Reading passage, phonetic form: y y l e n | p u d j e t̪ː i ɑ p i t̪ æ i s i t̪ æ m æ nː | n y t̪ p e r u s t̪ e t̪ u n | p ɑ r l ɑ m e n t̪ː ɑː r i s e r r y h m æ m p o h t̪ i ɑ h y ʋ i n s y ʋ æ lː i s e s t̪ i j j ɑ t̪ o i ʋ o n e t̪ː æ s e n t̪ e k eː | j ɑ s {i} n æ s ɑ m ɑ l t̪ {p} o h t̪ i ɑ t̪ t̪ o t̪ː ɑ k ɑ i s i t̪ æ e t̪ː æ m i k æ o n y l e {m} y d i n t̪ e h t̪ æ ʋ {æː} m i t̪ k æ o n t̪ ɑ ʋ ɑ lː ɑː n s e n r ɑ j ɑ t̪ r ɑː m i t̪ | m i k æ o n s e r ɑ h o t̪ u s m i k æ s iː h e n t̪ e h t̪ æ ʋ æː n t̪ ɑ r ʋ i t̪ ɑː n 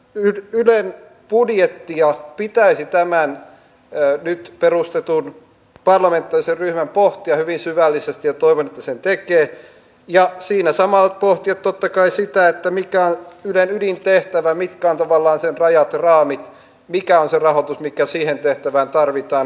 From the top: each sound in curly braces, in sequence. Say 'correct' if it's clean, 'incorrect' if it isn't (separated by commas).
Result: incorrect, correct, incorrect, incorrect